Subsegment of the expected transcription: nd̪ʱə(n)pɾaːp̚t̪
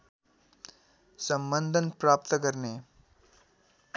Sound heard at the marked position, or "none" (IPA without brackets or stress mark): n